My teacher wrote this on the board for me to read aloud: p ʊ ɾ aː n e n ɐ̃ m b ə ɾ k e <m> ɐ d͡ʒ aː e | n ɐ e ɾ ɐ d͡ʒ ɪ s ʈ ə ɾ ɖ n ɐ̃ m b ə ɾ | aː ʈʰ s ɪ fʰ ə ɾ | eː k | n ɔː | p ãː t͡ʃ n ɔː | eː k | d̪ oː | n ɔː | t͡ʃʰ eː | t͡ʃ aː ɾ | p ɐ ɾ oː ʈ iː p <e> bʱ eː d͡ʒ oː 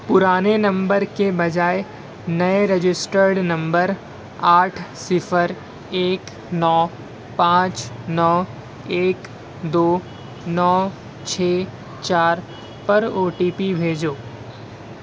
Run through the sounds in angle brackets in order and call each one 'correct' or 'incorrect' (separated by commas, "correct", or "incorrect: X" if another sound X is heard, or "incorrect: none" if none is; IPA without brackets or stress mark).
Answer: incorrect: b, incorrect: i